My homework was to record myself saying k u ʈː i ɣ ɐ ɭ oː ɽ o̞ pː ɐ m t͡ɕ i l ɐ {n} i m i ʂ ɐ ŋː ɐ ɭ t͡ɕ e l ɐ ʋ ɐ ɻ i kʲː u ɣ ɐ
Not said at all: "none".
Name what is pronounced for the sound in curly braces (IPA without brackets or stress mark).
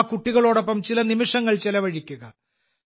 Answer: n